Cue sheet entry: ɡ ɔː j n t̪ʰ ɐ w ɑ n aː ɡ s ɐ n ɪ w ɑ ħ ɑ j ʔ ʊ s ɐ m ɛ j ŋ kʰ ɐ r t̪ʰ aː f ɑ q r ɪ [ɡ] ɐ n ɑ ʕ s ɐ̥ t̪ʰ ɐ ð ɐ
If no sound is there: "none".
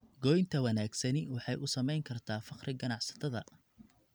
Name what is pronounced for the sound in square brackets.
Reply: ɡ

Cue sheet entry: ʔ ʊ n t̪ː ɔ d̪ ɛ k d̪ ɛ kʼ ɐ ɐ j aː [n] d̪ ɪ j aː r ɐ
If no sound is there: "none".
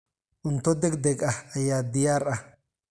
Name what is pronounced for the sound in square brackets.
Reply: none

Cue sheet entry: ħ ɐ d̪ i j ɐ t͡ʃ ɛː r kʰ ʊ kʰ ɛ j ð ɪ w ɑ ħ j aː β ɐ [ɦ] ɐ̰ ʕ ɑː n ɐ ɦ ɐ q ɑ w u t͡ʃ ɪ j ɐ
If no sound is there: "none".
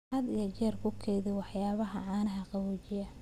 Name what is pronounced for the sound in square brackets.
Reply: ɦ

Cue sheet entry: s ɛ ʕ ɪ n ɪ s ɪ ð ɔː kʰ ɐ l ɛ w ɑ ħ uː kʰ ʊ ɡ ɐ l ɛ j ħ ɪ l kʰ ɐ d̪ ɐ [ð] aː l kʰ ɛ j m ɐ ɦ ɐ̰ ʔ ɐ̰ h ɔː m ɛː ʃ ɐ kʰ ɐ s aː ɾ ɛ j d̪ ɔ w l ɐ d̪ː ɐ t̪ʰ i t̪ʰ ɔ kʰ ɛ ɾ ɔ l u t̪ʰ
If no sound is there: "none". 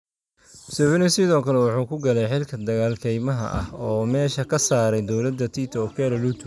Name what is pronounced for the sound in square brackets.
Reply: ɣ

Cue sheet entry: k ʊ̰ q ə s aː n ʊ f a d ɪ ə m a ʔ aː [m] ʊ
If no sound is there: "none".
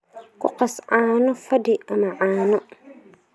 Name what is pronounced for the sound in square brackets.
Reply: n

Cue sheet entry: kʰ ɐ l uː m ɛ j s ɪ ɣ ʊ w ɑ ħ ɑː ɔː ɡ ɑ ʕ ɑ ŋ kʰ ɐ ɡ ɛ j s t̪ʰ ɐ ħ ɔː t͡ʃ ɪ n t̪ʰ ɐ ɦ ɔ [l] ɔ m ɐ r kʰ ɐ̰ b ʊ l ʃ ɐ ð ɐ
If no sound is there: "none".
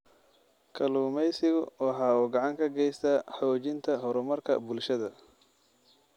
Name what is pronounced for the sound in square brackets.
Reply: ɾ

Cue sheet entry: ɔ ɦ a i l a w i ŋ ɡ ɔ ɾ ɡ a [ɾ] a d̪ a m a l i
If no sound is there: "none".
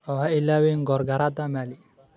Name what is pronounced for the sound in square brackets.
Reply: ɾ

